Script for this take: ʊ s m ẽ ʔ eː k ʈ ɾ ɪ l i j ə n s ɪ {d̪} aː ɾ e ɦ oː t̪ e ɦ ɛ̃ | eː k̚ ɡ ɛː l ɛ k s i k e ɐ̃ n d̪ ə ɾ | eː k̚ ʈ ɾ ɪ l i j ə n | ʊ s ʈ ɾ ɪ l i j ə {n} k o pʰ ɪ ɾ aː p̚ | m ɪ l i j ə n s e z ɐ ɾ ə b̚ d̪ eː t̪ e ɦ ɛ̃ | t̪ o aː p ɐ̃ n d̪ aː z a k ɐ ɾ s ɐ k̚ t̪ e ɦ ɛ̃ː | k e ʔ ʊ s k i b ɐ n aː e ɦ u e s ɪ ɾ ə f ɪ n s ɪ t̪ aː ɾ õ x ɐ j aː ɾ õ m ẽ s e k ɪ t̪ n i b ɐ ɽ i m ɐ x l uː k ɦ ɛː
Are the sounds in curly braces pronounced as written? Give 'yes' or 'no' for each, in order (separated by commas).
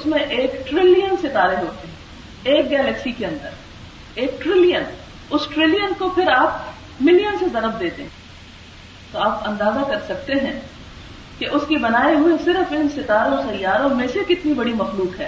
no, yes